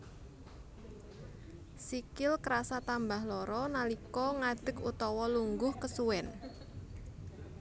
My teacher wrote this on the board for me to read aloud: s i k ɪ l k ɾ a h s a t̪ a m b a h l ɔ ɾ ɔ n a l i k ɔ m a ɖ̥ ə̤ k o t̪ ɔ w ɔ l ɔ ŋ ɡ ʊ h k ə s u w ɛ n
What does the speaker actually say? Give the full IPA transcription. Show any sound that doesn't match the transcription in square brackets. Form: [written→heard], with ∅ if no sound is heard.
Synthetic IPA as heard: s i k ɪ l k ɾ a [h→∅] s a t̪ a m b a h l ɔ ɾ ɔ n a l i k ɔ [m→ŋ] a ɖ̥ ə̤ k [o→u] t̪ ɔ w ɔ l [ɔ→u] ŋ ɡ ʊ h k ə s u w ɛ n